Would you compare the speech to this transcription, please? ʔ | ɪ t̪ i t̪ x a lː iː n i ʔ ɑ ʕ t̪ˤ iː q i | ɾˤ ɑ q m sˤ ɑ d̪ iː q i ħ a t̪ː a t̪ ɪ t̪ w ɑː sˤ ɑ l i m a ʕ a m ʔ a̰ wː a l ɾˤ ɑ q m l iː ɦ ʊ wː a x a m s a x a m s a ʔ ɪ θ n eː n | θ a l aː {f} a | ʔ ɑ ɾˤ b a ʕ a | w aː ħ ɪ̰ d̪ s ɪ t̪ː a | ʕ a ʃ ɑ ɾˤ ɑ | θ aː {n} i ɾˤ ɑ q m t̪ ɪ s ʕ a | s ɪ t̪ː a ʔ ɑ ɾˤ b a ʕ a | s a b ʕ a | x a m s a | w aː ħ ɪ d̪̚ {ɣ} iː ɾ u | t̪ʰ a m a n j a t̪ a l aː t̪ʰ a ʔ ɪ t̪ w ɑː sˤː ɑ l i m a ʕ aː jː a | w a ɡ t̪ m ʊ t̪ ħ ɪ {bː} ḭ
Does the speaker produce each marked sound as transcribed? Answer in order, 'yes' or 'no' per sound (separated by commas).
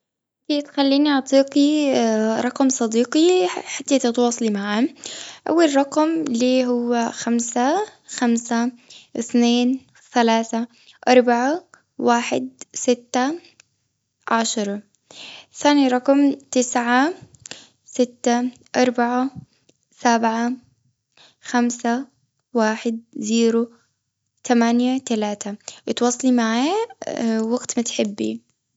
no, yes, no, yes